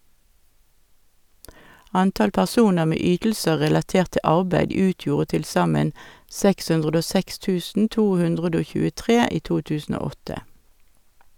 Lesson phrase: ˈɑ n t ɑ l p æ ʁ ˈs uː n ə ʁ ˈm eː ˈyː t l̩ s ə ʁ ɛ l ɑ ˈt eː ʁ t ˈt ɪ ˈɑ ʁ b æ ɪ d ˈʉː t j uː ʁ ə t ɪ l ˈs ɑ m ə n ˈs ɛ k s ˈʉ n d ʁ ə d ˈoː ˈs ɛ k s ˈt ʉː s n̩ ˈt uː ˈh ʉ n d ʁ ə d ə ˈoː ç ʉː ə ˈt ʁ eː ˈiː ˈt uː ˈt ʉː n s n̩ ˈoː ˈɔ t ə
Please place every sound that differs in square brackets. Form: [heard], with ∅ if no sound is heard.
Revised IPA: ˈɑ n t ɑ l p æ ʁ ˈs uː n ə ʁ ˈm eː ˈyː t l̩ s ə ʁ ɛ l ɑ ˈt eː ʁ t ˈt ɪ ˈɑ ʁ b æ ɪ d ˈʉː t j uː ʁ ə t ɪ l ˈs ɑ m ə n ˈs ɛ k s ˈʉ n d ʁ ə d ˈoː ˈs ɛ k s ˈt ʉː s n̩ ˈt uː ˈh ʉ n d ʁ ə d ə ˈoː ç ʉː ə ˈt ʁ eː ˈiː ˈt uː ˈt ʉː [∅] s n̩ ˈoː ˈɔ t ə